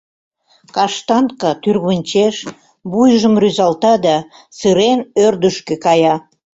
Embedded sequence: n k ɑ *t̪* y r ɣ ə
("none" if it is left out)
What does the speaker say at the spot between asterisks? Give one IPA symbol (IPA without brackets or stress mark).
t̪